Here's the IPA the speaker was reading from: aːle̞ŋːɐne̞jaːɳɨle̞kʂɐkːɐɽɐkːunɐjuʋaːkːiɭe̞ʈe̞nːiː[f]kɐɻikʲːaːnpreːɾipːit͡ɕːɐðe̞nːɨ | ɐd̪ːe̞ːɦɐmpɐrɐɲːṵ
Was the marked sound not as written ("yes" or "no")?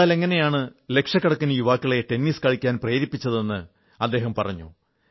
yes